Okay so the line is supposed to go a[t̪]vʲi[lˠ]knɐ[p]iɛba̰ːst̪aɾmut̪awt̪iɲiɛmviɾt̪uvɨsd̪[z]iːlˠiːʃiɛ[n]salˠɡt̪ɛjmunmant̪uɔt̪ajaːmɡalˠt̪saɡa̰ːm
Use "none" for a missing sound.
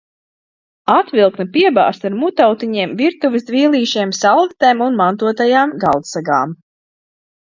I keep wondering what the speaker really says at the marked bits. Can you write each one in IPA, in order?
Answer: t̪, lˠ, p, v, m

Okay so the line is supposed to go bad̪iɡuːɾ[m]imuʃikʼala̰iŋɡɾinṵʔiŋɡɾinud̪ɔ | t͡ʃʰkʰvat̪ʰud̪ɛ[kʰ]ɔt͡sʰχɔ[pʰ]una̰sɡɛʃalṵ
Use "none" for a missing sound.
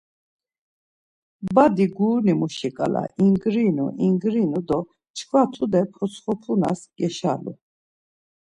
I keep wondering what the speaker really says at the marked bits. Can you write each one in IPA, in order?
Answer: n, pʰ, pʰ

